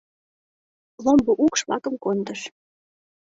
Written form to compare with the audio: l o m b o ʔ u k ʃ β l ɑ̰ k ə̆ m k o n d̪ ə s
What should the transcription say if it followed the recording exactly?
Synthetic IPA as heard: l o m b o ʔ u k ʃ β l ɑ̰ k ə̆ m k o n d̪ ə ʃ

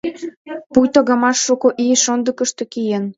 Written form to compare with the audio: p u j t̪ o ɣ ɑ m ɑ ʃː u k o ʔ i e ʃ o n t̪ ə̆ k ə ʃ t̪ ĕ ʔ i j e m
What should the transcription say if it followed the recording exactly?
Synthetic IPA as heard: p u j t̪ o ɣ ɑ m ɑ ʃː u k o ʔ i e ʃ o n d̪ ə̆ k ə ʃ t̪ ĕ k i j e n

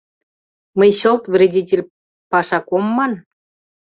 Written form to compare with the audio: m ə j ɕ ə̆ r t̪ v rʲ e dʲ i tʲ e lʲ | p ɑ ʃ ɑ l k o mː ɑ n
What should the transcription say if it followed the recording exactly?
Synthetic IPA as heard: m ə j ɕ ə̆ l t̪ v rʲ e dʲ i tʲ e lʲ | p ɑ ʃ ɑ k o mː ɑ n

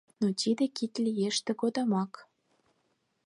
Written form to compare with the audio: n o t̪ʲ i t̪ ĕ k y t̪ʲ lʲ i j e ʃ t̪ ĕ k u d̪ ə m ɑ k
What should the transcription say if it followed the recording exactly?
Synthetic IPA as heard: n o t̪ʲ i d̪ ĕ k i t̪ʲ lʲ i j e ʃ t̪ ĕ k o d̪ ɑ m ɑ k

